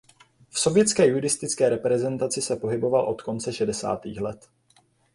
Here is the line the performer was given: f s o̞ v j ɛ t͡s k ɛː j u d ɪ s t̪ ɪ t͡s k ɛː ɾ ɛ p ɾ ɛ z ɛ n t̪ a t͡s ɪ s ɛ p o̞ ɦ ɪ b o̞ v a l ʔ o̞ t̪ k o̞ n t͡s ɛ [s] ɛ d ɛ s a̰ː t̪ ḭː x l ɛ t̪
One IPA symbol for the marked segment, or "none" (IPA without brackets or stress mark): ʃ